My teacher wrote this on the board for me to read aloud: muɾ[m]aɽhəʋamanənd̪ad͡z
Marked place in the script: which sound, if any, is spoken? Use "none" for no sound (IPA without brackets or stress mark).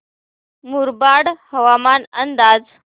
b